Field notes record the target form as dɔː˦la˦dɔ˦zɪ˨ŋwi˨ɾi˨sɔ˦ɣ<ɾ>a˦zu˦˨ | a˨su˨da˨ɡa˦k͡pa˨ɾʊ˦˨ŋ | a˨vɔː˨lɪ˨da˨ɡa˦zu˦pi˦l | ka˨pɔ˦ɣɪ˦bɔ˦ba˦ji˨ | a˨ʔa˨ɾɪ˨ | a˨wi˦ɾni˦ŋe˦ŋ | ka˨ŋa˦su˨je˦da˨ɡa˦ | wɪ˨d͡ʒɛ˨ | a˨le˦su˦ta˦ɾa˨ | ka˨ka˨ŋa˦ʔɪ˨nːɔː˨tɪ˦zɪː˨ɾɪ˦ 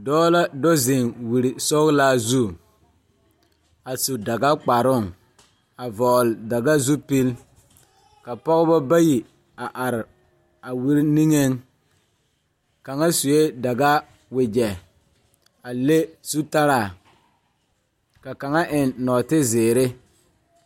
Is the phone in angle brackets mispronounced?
yes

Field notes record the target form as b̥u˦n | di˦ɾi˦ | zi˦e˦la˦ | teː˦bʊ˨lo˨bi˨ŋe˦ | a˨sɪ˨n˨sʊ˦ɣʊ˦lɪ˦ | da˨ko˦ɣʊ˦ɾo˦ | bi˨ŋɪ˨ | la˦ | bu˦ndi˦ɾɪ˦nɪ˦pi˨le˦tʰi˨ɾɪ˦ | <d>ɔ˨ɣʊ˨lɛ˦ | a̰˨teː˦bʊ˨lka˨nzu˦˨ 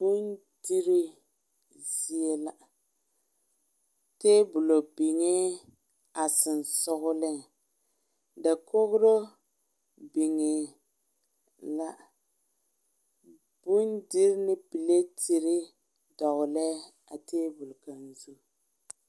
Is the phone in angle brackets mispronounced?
no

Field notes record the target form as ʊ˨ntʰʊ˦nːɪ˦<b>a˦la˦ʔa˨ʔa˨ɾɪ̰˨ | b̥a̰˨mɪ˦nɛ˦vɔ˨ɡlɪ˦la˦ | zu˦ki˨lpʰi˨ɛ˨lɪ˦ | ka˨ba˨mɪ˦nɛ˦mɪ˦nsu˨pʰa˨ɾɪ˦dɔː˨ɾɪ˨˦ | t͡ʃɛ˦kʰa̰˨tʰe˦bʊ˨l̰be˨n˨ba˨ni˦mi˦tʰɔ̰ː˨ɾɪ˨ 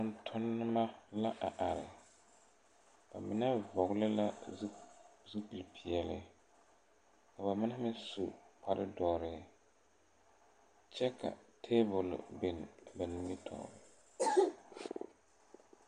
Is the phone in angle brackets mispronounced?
yes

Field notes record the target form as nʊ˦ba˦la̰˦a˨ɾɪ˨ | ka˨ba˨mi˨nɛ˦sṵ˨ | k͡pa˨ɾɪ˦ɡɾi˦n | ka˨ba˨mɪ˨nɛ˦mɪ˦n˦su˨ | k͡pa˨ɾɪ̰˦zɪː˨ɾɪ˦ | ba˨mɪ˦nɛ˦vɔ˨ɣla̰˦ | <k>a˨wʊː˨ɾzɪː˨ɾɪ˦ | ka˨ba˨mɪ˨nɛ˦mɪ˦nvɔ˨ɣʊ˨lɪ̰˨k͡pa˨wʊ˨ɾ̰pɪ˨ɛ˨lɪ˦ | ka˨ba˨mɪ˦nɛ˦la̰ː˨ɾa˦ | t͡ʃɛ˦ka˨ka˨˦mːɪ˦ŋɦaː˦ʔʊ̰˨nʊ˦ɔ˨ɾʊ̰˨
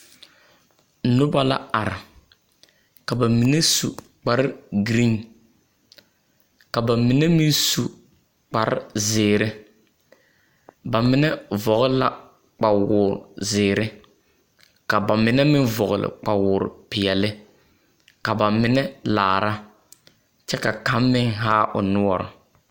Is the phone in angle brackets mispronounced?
yes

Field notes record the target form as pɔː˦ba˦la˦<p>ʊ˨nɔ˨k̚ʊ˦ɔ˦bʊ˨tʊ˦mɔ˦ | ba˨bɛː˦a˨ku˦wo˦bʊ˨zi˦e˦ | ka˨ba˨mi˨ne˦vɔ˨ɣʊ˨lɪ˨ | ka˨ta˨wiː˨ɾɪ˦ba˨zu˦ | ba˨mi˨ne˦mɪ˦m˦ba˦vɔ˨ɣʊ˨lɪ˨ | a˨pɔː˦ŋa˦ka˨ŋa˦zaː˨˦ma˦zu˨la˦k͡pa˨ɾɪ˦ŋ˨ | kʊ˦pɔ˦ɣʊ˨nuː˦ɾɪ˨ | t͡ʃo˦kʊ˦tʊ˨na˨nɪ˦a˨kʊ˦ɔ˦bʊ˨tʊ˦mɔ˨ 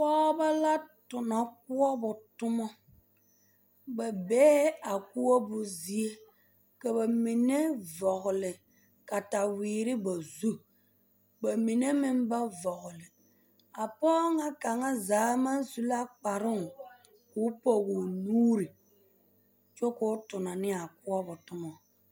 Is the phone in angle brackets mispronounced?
yes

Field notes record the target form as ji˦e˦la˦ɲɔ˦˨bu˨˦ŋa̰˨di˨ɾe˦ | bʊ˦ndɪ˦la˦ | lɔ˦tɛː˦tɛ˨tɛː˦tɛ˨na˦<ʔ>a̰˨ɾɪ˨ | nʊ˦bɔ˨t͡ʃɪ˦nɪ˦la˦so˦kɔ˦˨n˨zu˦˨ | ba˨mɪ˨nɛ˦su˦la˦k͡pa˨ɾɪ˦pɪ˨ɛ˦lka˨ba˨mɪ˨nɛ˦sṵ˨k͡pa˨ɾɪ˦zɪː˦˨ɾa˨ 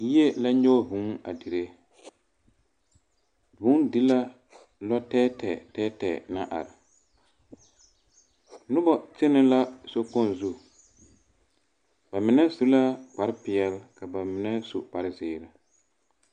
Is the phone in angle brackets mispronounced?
no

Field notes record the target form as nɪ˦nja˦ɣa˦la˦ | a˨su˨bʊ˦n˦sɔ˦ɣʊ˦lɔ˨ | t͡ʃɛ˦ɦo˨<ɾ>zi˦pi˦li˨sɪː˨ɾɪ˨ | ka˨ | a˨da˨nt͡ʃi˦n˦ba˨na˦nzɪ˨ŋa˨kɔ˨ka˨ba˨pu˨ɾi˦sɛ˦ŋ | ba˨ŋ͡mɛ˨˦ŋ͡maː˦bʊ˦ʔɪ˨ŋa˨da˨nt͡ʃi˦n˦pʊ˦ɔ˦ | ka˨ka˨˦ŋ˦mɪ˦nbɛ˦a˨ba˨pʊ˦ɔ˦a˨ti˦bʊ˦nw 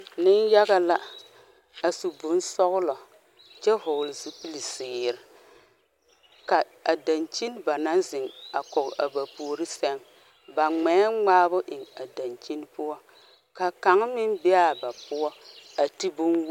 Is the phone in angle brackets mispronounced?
yes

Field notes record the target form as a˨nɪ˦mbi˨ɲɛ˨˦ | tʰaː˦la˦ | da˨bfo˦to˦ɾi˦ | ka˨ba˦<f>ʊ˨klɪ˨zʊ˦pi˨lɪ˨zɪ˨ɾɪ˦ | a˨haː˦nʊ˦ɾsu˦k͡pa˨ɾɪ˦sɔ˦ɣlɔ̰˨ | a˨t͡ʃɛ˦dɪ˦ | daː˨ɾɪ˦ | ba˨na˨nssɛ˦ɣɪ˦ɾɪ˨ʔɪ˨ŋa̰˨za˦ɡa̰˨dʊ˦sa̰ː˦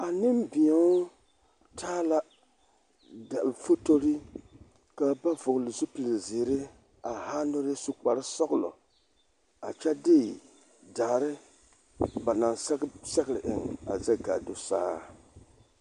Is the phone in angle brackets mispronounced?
yes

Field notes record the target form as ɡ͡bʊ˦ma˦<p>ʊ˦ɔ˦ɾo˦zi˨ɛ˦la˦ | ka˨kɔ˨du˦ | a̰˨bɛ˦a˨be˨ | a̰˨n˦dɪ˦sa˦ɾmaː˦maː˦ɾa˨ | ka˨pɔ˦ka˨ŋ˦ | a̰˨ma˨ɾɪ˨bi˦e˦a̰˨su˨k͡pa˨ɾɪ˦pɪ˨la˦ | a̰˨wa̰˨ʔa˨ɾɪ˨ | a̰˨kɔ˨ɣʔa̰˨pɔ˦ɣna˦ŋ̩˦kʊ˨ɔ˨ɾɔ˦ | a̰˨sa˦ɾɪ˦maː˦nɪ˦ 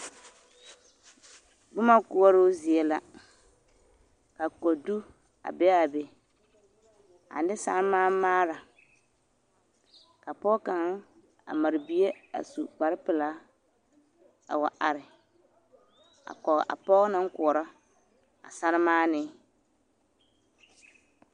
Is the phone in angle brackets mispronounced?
yes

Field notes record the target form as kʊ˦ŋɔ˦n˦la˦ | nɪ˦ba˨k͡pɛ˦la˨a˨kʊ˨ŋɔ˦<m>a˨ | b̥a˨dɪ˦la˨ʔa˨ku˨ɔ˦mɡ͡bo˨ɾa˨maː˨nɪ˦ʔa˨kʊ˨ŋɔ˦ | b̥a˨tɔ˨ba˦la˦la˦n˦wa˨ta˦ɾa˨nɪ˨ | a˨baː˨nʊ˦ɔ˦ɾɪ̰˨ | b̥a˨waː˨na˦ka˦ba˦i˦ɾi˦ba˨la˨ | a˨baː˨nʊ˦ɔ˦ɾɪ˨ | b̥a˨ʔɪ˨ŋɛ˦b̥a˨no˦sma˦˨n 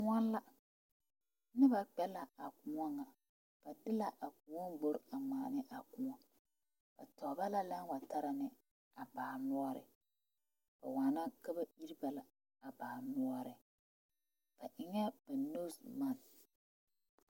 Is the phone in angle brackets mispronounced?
yes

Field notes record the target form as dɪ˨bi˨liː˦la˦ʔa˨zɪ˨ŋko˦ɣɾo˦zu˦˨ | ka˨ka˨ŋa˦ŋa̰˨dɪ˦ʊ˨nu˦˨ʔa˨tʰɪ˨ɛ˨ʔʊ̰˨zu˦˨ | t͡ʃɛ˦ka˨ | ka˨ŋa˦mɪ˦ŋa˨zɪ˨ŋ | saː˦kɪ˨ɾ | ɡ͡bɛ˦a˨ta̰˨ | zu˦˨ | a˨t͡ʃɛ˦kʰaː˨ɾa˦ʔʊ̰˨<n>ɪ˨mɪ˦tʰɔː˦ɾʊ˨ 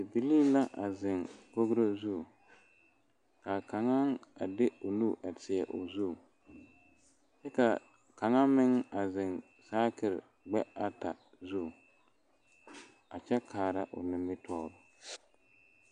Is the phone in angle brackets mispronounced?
no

